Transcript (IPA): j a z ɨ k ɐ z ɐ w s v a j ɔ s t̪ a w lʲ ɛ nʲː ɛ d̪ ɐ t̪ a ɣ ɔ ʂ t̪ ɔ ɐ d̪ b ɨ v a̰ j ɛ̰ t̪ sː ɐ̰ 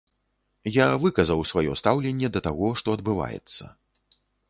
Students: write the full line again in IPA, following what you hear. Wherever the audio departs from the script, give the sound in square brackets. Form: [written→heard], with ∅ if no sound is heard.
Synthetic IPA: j a [z→v] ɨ k ɐ z ɐ w s v a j ɔ s t̪ a w lʲ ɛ nʲː ɛ d̪ ɐ t̪ a ɣ ɔ ʂ t̪ ɔ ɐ d̪ b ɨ v a̰ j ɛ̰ t̪ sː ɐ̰